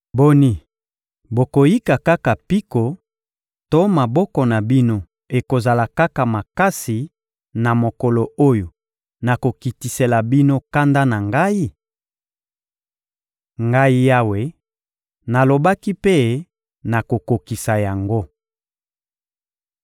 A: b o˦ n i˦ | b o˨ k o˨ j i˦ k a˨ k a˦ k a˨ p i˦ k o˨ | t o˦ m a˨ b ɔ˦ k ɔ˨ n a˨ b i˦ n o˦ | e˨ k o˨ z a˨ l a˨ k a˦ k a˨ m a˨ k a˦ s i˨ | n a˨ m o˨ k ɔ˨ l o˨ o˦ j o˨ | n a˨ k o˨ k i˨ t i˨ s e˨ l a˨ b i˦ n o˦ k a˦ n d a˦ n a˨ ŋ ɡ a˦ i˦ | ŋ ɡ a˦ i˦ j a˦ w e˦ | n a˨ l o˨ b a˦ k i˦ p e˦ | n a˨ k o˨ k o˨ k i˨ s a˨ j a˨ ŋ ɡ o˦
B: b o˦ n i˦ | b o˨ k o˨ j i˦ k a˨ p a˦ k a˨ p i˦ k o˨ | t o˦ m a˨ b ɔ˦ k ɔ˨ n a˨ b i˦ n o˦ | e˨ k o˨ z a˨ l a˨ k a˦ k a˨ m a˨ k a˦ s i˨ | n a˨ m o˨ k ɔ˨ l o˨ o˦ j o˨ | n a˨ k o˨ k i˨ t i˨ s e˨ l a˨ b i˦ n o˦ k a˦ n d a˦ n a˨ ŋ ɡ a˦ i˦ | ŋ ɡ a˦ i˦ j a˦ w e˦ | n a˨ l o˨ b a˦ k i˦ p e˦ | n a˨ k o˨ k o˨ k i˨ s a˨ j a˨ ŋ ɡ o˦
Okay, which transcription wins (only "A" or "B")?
A